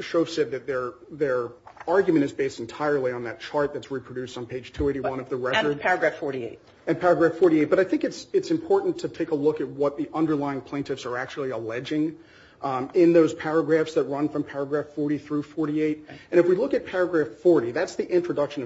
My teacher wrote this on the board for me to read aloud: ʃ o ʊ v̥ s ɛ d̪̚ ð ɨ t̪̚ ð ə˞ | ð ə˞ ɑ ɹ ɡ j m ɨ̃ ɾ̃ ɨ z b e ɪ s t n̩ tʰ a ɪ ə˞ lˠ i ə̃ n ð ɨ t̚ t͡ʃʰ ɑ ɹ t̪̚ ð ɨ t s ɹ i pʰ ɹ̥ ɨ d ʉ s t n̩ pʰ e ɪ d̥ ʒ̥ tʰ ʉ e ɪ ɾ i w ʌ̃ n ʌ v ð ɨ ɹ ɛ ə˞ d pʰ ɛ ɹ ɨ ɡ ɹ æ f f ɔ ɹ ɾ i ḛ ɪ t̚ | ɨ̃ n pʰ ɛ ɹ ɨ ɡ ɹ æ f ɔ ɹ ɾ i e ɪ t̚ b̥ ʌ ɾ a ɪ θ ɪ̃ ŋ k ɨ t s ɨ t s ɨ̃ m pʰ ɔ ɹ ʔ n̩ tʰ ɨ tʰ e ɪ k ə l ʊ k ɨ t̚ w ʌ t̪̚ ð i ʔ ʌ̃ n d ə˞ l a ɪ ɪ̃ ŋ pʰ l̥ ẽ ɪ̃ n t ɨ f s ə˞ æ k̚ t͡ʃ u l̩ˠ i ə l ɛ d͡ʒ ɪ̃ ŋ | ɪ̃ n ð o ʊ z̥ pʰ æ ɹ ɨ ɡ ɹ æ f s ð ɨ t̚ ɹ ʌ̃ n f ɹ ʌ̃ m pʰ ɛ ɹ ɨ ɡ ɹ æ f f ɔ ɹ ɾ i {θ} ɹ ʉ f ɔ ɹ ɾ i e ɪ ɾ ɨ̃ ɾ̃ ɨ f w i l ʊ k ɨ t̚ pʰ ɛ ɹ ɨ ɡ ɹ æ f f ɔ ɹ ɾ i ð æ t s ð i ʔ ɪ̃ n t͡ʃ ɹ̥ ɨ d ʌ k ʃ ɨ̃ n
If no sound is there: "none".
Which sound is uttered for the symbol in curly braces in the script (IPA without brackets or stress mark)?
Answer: θ